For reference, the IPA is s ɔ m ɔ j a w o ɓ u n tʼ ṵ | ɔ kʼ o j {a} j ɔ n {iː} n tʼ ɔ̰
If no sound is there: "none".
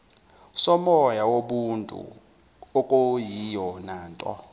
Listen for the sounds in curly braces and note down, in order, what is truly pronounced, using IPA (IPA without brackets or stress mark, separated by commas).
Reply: i, aː